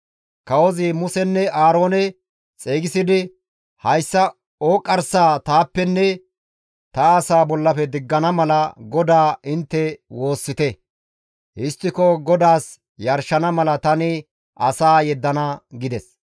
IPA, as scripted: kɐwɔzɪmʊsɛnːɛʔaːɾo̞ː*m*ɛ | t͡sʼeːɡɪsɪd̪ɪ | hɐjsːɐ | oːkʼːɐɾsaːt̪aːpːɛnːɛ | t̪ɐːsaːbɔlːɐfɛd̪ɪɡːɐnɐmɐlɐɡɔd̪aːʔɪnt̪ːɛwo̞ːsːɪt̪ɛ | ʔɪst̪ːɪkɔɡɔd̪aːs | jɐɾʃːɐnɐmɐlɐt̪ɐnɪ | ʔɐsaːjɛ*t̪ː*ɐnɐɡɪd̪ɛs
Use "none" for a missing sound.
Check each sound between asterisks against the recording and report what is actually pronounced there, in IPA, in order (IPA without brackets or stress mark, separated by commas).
n, d̪ː